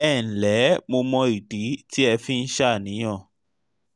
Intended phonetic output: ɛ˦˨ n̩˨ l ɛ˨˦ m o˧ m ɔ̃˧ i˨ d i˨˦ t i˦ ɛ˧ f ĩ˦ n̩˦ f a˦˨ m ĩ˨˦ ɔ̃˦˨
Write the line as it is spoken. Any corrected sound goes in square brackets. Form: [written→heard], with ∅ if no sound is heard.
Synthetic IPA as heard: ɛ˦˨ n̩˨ l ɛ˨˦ m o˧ m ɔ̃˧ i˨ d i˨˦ t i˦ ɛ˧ f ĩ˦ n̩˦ [f→ʃ] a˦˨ [m→n] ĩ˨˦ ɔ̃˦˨